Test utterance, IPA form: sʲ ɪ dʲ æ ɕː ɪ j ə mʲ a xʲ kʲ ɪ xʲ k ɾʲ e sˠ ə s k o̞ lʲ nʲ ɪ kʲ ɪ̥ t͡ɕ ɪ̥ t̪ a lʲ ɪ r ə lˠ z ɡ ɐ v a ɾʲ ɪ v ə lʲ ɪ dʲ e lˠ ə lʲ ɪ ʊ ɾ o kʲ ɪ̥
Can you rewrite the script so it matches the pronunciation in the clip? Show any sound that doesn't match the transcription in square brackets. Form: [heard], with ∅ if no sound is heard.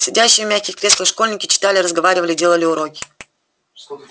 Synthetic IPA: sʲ ɪ dʲ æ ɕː ɪ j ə mʲ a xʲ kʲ ɪ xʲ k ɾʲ e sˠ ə [ʂ] k o̞ lʲ nʲ ɪ kʲ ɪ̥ t͡ɕ ɪ̥ t̪ a lʲ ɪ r ə [∅] z ɡ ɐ v a ɾʲ ɪ v ə lʲ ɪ dʲ e lˠ ə lʲ ɪ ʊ ɾ o kʲ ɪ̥